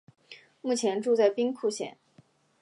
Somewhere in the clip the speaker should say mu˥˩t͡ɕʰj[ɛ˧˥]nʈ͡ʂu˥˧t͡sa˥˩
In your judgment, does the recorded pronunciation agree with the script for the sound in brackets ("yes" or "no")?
yes